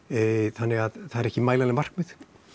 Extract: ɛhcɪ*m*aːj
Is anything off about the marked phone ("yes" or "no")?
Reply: no